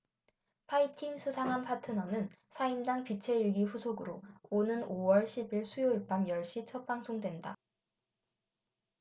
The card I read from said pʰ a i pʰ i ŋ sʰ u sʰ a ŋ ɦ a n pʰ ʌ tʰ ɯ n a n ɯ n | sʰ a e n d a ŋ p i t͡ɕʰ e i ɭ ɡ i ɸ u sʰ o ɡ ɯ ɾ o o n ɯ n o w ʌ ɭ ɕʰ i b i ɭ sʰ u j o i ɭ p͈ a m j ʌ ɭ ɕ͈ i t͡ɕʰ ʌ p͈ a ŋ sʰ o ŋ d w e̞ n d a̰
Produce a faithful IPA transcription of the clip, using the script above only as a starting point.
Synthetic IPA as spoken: pʰ a i tʰ i ŋ sʰ u sʰ a ŋ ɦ a n pʰ a tʰ ɯ n ʌ n ɯ n | sʰ a i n d a ŋ p i t͡ɕʰ e i ɭ ɡ i ɸ u sʰ o ɡ ɯ ɾ o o n ɯ n o w ʌ ɭ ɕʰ i b i ɭ sʰ u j o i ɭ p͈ a m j ʌ ɭ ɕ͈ i t͡ɕʰ ʌ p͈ a ŋ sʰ o ŋ d w e̞ n d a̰